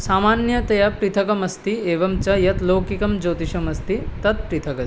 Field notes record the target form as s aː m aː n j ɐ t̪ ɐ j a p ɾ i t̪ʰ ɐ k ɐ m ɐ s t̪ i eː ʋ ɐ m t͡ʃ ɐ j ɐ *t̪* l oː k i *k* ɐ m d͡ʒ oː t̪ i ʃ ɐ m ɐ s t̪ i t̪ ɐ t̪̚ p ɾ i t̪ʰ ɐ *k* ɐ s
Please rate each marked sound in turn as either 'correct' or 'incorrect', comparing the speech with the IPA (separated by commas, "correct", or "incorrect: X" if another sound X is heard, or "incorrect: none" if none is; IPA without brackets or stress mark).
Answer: correct, correct, correct